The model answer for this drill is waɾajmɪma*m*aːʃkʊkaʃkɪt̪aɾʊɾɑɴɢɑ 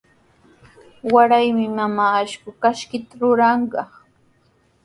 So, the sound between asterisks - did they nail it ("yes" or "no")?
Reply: yes